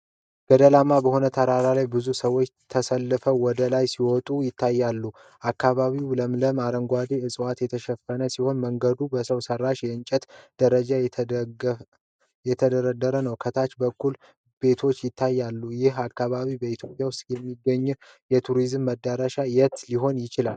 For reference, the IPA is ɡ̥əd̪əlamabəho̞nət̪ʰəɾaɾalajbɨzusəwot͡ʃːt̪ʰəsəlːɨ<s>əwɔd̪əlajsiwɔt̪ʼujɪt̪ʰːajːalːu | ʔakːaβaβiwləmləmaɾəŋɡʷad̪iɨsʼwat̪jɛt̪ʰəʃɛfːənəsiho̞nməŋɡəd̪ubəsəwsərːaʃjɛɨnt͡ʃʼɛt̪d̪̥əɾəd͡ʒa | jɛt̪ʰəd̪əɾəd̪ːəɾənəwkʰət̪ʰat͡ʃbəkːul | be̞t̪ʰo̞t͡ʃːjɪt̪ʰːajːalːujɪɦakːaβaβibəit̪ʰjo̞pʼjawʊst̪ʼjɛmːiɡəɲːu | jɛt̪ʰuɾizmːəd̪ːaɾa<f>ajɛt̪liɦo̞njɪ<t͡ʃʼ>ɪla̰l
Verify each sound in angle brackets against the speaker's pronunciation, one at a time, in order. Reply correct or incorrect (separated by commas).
incorrect, incorrect, incorrect